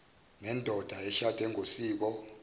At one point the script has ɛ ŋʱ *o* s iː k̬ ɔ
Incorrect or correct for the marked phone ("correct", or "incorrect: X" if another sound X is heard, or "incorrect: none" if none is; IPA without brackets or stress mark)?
correct